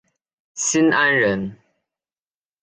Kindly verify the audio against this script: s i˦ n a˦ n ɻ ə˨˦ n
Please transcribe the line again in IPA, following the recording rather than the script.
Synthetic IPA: s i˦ n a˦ n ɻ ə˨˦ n